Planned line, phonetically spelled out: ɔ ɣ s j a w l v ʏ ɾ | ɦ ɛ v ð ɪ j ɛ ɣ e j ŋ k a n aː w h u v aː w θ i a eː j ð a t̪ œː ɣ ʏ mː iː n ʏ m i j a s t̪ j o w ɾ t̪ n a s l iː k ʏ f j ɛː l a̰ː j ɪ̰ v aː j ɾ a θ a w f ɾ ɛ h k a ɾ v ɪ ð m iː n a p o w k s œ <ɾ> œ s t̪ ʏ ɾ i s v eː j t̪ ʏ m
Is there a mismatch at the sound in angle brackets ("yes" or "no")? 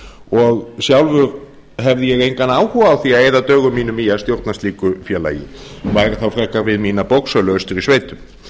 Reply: yes